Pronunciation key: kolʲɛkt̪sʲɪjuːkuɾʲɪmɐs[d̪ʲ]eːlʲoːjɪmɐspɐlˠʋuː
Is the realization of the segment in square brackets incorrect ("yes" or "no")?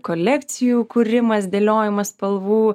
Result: no